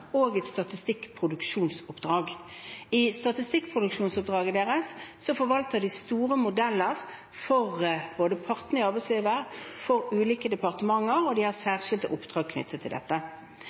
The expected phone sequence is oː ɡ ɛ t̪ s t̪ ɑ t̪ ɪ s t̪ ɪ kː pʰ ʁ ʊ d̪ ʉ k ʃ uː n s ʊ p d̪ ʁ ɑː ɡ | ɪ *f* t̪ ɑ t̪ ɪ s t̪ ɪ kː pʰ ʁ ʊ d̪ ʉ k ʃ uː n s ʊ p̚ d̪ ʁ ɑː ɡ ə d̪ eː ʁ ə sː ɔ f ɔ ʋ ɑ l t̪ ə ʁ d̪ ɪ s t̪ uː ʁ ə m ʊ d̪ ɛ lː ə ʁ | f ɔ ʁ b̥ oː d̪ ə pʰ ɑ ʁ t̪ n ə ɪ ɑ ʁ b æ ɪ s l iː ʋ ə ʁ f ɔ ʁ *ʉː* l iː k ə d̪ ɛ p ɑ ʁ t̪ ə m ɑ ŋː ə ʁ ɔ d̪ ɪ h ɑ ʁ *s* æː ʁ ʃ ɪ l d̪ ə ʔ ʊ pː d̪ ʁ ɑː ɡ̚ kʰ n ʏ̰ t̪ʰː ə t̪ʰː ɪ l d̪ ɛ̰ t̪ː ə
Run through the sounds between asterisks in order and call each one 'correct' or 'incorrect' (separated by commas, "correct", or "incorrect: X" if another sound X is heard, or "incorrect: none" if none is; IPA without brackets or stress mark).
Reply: incorrect: s, correct, correct